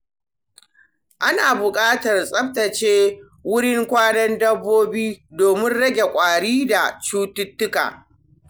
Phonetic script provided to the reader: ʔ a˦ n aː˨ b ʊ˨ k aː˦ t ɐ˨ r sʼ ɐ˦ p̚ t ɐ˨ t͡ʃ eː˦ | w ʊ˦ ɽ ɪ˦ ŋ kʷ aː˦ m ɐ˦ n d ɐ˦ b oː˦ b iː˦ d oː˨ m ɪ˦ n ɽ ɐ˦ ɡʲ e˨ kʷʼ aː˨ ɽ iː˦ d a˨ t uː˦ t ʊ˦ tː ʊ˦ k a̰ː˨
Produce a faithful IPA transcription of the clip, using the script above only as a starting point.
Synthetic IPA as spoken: ʔ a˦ n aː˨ b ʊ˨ kʼ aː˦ t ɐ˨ r sʼ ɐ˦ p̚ t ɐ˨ t͡ʃ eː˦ | w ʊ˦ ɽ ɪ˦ ŋ kʷ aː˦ n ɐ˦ n d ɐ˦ bː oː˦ b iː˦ d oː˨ m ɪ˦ n ɽ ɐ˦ ɡʲ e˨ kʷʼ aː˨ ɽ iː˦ d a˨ t͡ʃ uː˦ t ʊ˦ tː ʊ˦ k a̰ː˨